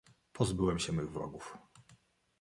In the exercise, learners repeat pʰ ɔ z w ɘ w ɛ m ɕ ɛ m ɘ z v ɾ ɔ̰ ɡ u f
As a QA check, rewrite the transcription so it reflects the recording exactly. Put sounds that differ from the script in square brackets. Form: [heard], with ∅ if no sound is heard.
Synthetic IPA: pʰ ɔ z [b] ɘ w ɛ m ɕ ɛ m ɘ [ɣ] v ɾ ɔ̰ ɡ u f